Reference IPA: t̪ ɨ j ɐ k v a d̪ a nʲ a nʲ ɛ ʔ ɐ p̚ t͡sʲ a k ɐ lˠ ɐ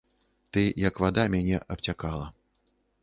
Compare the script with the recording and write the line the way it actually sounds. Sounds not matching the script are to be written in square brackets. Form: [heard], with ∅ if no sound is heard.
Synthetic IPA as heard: t̪ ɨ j ɐ k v a d̪ a [mʲ] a nʲ ɛ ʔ ɐ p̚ t͡sʲ a k [a] lˠ ɐ